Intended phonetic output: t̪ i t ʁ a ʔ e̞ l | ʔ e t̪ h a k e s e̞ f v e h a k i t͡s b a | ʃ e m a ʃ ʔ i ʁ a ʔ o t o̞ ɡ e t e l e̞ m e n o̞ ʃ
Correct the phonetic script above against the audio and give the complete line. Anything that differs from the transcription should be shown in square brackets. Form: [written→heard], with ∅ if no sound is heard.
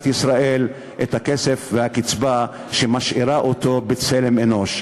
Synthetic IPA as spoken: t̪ i [t→s] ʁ a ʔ e̞ l | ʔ e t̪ h a k e s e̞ f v e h a k i t͡s b a | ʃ e m a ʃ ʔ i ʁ a ʔ o t o̞ [ɡ→b] e [t→t͡s] e l e̞ m e n o̞ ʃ